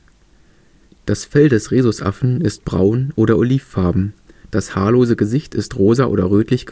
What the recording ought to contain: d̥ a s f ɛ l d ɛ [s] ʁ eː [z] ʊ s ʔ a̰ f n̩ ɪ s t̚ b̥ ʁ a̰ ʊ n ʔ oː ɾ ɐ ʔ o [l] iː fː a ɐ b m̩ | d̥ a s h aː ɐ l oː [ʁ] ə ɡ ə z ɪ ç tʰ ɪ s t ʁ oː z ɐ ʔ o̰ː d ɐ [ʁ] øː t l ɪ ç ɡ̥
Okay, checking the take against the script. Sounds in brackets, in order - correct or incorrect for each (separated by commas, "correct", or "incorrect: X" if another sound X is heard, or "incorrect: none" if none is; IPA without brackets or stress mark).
correct, correct, correct, incorrect: z, correct